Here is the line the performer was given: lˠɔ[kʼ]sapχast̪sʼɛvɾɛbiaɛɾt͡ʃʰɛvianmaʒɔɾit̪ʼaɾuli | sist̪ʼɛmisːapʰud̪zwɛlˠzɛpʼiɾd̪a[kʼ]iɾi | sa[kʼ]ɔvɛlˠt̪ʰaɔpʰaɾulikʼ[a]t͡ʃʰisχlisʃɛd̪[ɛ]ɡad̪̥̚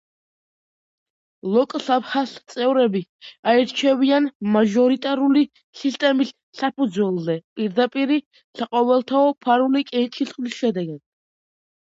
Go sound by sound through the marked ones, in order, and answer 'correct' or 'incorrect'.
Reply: correct, incorrect: pʼ, incorrect: qʼ, incorrect: ɛ, correct

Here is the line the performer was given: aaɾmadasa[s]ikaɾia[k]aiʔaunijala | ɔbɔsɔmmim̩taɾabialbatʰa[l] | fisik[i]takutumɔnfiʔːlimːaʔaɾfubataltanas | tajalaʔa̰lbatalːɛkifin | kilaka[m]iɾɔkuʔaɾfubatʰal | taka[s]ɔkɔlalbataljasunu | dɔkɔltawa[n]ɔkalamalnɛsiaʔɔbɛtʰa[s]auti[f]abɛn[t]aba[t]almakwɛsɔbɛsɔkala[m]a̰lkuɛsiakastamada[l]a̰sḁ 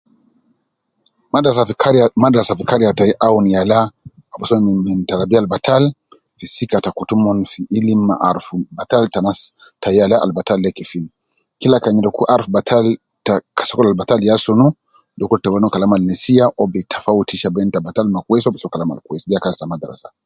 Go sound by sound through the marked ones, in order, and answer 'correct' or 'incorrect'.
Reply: incorrect: f, incorrect: t, correct, incorrect: a, incorrect: ɲ, correct, correct, incorrect: f, incorrect: ʃ, correct, correct, correct, incorrect: ɾ

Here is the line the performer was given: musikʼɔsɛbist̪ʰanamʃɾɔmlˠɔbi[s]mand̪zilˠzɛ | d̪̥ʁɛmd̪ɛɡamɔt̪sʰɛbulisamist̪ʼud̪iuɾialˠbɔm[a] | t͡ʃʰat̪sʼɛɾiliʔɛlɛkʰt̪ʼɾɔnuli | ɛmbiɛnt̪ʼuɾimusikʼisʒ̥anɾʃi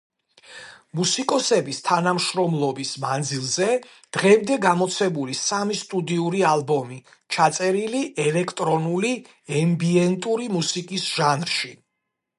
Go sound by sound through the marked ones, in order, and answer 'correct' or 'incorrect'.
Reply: correct, incorrect: i

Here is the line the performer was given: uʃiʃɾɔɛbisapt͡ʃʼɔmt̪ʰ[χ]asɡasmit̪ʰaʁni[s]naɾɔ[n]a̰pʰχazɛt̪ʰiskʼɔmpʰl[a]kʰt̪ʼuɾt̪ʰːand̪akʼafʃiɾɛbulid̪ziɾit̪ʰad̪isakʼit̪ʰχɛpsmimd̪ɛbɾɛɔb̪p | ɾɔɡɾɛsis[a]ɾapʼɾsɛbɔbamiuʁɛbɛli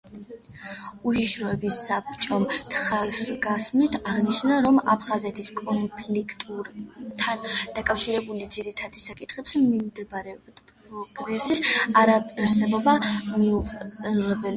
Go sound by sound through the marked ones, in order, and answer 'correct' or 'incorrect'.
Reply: correct, incorrect: ʃ, incorrect: m, incorrect: i, correct

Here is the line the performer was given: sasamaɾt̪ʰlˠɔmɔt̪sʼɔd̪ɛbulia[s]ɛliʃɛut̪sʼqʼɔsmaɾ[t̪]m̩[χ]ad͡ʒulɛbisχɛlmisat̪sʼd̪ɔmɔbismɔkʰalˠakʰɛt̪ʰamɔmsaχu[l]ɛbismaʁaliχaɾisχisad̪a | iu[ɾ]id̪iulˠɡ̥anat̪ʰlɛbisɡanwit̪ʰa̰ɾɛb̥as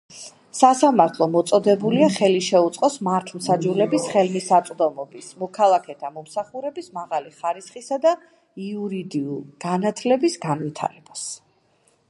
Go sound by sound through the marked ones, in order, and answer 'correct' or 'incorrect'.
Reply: incorrect: χ, incorrect: t̪ʰ, incorrect: s, incorrect: ɾ, correct

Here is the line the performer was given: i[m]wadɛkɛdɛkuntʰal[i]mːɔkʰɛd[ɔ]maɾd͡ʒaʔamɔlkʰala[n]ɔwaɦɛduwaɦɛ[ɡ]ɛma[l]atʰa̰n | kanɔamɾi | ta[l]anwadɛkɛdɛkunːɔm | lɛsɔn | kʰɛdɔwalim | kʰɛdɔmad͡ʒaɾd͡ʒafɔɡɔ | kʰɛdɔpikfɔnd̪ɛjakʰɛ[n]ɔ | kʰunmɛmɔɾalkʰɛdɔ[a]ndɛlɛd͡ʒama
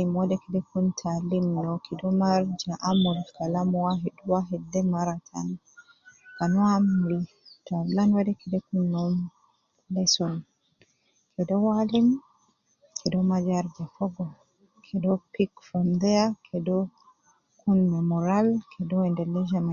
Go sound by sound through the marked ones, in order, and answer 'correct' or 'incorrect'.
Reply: correct, correct, correct, incorrect: m, incorrect: d, incorrect: ɾ, correct, incorrect: d, incorrect: ɛ

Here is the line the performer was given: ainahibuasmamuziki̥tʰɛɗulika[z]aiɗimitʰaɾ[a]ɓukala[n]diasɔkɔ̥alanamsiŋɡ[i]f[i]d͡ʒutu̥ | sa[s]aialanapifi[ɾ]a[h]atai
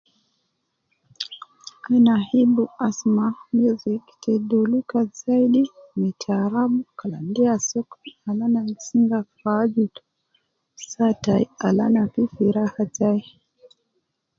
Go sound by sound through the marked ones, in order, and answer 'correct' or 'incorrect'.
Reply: correct, correct, correct, incorrect: a, incorrect: a, incorrect: t, correct, correct

